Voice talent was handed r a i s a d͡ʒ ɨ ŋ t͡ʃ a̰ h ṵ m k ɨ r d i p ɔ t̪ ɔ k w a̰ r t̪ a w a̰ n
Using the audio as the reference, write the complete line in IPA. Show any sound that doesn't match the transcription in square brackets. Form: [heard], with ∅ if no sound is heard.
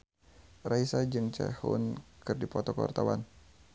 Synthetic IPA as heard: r a i s a d͡ʒ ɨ ŋ t͡ʃ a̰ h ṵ [n] k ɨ r d i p ɔ t̪ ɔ k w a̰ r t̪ a w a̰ n